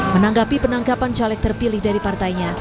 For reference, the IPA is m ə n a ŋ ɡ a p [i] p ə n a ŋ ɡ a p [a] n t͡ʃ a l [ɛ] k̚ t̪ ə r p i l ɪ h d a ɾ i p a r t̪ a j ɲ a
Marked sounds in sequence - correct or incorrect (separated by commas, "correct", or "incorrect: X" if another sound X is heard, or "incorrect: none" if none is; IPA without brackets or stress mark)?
correct, correct, correct